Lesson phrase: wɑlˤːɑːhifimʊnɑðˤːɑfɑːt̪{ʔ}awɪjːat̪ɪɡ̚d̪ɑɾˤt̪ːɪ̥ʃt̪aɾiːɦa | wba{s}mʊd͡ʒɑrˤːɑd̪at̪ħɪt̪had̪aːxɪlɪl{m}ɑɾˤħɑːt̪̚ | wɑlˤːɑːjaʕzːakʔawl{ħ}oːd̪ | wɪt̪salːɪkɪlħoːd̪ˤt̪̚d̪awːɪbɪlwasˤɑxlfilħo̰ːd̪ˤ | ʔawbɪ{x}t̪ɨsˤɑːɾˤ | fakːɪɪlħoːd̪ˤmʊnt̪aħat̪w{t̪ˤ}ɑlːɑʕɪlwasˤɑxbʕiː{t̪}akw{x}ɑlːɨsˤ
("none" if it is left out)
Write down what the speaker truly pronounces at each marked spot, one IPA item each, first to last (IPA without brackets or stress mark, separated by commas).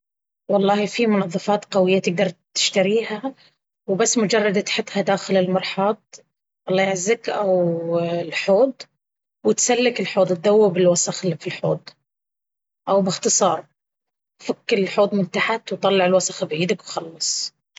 q, sː, m, ħ, x, t̪ˤ, d̪, x